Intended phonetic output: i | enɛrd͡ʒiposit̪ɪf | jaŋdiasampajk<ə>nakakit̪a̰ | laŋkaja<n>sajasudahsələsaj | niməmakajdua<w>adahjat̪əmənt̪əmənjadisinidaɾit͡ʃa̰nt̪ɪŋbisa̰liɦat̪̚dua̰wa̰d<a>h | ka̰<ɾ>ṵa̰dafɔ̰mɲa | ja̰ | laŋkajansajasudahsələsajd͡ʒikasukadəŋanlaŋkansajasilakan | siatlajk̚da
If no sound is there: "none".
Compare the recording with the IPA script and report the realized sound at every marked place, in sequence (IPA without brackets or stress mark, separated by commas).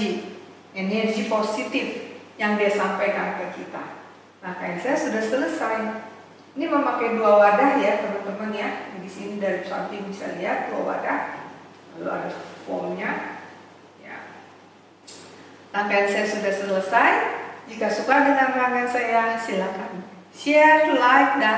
a, n, w, a, l